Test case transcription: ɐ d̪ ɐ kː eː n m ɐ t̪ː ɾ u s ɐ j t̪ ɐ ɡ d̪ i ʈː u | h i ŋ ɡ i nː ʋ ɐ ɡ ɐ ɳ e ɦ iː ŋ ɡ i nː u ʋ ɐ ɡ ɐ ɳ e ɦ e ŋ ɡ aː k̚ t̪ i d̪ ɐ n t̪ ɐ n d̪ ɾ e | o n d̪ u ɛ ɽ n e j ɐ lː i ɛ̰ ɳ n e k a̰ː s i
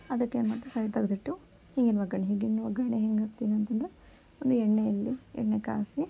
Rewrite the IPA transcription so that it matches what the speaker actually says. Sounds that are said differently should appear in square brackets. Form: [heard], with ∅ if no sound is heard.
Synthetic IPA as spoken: ɐ d̪ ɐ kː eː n m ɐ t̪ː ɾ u s ɐ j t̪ ɐ ɡ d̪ i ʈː u | h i ŋ ɡ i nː ʋ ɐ ɡ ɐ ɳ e ɦ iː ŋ ɡ i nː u ʋ ɐ ɡ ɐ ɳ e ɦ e ŋ ɡ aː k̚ t̪ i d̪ ɐ n t̪ ɐ n d̪ ɾ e | o n d̪ u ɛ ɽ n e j ɐ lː i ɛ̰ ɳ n e k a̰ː s i